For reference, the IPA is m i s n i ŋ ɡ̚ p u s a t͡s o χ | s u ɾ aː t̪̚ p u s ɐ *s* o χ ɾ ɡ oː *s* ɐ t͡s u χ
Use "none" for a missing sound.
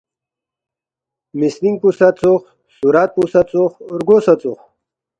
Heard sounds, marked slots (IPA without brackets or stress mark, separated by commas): t͡s, s